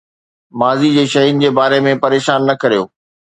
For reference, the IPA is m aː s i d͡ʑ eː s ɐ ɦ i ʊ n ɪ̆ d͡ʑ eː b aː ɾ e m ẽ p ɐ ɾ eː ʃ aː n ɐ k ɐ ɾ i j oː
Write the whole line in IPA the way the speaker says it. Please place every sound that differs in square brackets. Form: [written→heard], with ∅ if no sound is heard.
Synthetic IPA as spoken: m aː [s→z] i d͡ʑ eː [s→ʃ] ɐ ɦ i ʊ n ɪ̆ d͡ʑ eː b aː ɾ e m ẽ p ɐ ɾ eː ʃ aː [n→nː] ɐ k ɐ ɾ i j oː